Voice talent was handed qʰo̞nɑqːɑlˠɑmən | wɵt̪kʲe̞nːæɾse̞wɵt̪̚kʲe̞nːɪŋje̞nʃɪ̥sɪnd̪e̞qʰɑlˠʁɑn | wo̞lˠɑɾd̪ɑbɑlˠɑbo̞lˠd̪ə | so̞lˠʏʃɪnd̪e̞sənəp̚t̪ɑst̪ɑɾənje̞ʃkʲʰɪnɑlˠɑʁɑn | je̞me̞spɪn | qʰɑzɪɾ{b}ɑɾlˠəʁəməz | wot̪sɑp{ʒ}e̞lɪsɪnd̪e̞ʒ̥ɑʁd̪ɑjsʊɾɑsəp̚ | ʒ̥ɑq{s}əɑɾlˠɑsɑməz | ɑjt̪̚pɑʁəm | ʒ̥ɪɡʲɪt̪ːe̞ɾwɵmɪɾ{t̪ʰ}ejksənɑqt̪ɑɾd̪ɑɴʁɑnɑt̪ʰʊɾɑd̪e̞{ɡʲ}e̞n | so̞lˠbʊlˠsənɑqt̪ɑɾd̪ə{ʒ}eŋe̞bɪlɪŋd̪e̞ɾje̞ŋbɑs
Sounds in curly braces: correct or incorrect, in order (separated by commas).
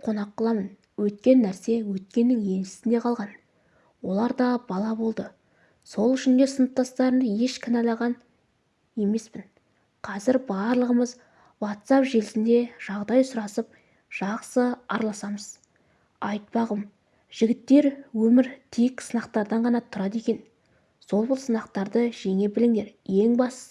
correct, correct, correct, correct, incorrect, correct